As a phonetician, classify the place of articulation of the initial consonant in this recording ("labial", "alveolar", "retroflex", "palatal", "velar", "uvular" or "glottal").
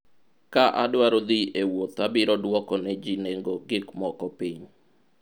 velar